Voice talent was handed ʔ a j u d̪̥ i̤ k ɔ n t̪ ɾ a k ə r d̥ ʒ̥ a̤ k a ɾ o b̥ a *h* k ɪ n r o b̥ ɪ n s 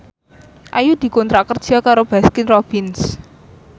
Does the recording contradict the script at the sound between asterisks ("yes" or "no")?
yes